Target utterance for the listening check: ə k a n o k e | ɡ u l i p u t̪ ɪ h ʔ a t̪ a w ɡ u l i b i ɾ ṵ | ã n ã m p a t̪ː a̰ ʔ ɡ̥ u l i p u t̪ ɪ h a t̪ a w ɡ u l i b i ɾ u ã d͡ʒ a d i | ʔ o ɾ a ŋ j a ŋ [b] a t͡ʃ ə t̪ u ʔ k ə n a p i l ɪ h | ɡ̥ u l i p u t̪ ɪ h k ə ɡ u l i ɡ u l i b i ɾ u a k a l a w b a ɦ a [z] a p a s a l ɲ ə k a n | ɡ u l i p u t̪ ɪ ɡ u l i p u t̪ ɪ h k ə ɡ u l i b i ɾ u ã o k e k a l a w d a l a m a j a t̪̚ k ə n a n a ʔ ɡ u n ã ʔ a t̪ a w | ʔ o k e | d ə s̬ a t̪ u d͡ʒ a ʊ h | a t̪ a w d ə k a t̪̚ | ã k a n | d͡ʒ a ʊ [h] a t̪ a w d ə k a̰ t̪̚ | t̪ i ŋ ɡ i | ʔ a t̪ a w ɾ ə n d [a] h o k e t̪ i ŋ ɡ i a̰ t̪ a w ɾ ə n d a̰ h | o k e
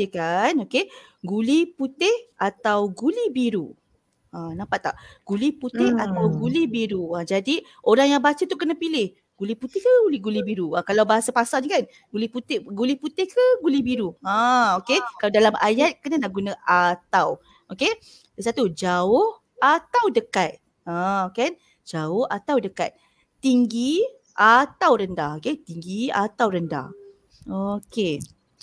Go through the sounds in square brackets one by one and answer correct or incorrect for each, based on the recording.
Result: correct, incorrect: s, correct, correct

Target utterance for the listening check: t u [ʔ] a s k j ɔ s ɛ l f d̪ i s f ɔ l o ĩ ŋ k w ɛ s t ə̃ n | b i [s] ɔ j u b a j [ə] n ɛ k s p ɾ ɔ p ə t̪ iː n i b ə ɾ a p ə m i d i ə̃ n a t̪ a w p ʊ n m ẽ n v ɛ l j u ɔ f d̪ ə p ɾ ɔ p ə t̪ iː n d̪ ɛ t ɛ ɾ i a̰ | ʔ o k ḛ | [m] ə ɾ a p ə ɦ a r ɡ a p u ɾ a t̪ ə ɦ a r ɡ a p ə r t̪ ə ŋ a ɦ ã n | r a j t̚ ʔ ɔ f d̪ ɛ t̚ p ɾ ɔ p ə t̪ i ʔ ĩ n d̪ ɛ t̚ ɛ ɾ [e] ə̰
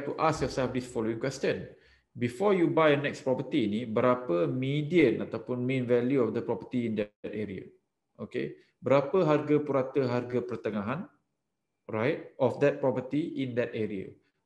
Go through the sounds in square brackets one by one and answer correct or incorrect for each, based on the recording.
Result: correct, incorrect: f, correct, incorrect: b, incorrect: i

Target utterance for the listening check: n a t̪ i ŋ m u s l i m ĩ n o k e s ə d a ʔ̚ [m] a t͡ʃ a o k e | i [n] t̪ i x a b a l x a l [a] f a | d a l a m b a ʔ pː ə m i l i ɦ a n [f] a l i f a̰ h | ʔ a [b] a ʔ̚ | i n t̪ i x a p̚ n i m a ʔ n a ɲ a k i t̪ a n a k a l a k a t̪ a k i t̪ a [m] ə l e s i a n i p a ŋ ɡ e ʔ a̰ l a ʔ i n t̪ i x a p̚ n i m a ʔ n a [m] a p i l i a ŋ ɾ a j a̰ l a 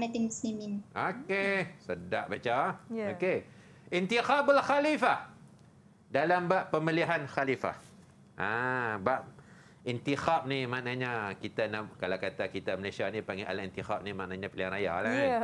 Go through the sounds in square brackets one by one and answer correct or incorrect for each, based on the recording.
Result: incorrect: b, correct, incorrect: i, incorrect: x, correct, correct, incorrect: ɲ

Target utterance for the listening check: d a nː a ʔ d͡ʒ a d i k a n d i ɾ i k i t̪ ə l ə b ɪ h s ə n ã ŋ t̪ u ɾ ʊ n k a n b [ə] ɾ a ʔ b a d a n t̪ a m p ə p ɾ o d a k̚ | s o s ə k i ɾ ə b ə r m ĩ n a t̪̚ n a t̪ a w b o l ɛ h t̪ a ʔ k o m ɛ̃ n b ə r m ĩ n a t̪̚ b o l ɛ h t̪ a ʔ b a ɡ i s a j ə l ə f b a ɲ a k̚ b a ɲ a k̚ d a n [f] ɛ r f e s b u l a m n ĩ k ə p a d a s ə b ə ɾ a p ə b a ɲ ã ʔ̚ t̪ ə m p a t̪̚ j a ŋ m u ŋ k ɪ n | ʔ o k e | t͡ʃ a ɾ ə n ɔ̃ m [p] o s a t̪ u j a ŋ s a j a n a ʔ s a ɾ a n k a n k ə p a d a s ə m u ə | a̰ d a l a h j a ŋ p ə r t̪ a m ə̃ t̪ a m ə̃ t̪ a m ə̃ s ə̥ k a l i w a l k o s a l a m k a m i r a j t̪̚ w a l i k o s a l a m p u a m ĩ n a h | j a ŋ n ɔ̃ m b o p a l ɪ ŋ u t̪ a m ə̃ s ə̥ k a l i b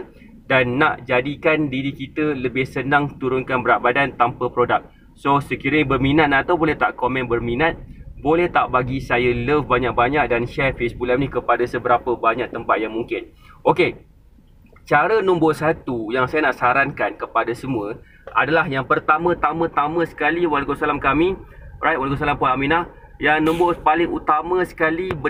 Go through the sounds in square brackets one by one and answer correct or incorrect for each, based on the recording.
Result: correct, incorrect: ʃ, incorrect: b

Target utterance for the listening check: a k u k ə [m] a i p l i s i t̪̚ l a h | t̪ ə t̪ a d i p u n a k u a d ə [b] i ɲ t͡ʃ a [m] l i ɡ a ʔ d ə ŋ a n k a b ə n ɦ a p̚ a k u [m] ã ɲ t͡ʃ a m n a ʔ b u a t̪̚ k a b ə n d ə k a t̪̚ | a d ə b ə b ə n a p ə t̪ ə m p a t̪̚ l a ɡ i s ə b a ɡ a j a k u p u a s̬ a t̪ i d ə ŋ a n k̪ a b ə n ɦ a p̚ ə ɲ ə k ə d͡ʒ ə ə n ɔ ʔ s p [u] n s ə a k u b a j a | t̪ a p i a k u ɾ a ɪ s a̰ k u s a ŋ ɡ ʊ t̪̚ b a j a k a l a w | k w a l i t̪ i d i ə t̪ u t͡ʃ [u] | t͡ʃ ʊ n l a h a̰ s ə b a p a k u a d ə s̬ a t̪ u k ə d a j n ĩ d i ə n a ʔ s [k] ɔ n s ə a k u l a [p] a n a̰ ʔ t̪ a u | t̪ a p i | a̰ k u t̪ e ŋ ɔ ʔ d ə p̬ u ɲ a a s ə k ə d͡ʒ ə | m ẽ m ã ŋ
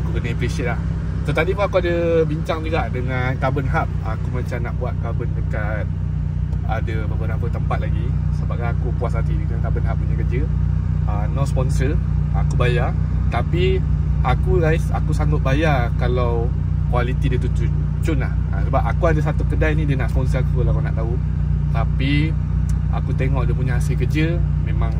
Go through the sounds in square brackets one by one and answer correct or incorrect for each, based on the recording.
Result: incorrect: n, correct, incorrect: ŋ, correct, incorrect: ɔ, correct, incorrect: p, incorrect: k

